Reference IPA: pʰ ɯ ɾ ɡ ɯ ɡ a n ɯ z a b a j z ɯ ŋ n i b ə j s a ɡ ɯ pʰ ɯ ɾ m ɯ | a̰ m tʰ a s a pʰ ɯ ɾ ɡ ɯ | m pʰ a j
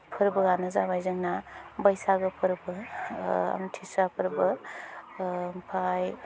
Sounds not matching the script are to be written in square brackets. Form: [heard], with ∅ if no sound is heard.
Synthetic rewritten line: pʰ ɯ ɾ [b] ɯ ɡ a n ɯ z a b a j z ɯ ŋ n [a] b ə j s a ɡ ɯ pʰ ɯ ɾ [b] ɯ | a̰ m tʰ [i] s a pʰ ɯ ɾ [b] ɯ | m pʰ a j